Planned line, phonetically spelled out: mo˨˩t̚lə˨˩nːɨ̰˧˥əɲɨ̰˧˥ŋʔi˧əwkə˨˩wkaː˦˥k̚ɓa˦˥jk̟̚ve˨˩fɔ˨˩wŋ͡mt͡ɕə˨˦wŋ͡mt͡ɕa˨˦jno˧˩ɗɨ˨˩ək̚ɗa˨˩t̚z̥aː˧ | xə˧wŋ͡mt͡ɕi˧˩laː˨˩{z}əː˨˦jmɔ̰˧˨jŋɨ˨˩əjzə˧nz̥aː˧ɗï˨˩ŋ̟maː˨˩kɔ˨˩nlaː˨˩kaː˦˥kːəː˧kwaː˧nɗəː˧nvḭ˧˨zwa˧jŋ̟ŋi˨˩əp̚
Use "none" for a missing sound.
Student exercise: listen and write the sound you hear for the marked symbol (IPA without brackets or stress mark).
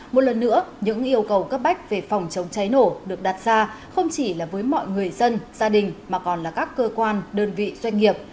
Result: v